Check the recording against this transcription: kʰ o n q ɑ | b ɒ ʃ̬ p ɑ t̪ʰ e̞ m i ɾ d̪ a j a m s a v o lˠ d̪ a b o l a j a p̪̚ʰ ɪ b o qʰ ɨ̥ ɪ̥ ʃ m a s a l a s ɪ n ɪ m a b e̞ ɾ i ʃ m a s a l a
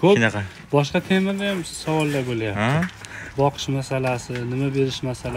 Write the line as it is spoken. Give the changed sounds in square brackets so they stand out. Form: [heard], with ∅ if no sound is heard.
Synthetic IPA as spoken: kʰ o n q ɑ | b ɒ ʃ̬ [q] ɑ t̪ʰ e̞ m [ɪ] ɾ d̪ a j a m s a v [ɒ] lˠ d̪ a b o l a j a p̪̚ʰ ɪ b [ɒ] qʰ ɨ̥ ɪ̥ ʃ m a s a l a s ɪ n ɪ m a b e̞ ɾ [ɪ] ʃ m a s a l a